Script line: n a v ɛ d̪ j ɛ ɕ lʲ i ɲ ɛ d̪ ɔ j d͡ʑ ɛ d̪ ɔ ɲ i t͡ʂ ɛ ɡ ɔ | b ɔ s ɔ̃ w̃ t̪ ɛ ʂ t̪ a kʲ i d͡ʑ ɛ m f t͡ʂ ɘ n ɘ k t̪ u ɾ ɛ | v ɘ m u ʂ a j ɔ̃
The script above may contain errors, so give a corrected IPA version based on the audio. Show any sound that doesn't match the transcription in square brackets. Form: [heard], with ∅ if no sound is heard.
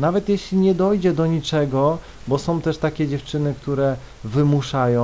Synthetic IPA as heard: n a v ɛ [t̪] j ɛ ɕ lʲ i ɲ ɛ d̪ ɔ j d͡ʑ ɛ d̪ ɔ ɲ i t͡ʂ ɛ ɡ ɔ | b ɔ s ɔ̃ w̃ t̪ ɛ ʂ t̪ a kʲ [ɛ] d͡ʑ ɛ [∅] f t͡ʂ ɘ n ɘ k t̪ u ɾ ɛ | v ɘ m u ʂ a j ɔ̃